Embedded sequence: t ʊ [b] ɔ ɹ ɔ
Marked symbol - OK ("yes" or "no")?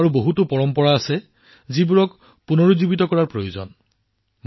no